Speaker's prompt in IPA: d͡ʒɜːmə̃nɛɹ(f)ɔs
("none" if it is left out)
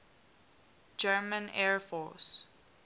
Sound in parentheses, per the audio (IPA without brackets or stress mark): f